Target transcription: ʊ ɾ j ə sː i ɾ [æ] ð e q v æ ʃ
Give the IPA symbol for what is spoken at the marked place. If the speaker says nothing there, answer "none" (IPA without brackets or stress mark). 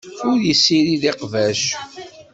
i